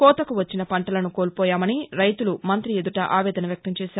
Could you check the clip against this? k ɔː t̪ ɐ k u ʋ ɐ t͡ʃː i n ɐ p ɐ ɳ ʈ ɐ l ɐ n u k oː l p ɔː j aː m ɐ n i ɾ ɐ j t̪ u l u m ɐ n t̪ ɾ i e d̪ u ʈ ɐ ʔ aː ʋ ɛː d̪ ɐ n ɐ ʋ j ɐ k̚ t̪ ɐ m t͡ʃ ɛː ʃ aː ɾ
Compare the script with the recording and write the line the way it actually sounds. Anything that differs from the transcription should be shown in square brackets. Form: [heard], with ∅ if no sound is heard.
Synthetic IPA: k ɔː t̪ ɐ k u ʋ ɐ t͡ʃː i n ɐ p ɐ ɳ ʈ ɐ l ɐ n u k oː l p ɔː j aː m ɐ n i ɾ ɐ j t̪ u l u m ɐ n t̪ ɾ i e d̪ u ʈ ɐ ʔ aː ʋ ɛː d̪ ɐ n ɐ ʋ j ɐ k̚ t̪ ɐ m t͡ʃ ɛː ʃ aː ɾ